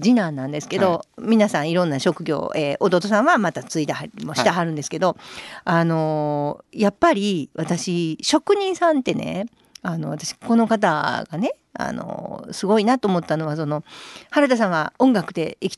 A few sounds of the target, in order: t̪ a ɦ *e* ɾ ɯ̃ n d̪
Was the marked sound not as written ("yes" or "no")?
yes